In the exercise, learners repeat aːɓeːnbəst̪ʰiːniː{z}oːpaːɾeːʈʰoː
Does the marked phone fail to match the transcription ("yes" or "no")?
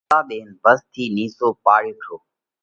yes